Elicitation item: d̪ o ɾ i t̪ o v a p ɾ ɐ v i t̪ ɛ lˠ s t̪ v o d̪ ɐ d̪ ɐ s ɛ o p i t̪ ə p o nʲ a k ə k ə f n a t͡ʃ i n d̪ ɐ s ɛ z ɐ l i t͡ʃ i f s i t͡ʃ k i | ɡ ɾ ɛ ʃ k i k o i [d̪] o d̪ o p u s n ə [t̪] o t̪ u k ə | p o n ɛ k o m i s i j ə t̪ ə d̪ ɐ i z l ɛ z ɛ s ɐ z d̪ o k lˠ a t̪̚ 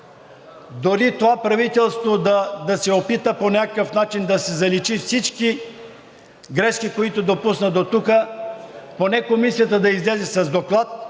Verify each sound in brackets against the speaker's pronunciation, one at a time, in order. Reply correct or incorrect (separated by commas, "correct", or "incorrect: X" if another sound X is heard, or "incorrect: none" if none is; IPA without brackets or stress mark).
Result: incorrect: t̪, incorrect: d̪